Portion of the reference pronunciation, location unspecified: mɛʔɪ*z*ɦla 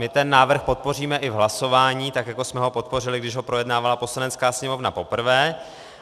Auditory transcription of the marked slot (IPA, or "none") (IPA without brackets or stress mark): v